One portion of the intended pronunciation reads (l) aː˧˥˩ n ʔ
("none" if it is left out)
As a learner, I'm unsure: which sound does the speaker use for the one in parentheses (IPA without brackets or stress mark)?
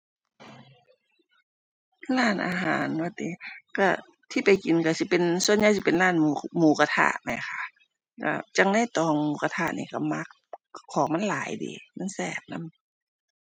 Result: l